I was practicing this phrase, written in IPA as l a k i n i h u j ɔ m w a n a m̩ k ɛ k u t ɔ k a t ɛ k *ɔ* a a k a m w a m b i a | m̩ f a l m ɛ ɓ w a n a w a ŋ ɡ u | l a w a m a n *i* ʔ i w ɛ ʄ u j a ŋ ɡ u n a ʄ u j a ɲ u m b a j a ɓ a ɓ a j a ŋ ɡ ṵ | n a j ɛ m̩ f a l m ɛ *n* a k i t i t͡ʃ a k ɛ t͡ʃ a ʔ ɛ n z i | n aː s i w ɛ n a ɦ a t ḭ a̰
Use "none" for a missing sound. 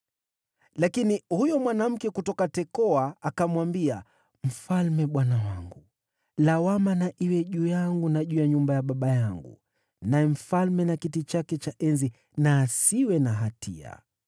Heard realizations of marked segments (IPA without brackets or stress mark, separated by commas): ɔ, a, n